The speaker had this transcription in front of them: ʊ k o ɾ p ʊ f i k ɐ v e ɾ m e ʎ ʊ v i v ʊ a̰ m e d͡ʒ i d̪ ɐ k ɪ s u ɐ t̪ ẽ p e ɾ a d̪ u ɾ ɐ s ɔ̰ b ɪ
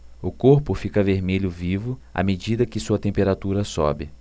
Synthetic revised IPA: ʊ k o ɾ p ʊ f i k ɐ v e ɾ m e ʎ ʊ v i v ʊ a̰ m e d͡ʒ i d̪ ɐ k ɪ s u ɐ t̪ ẽ p e ɾ a t̪ u ɾ ɐ s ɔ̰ b ɪ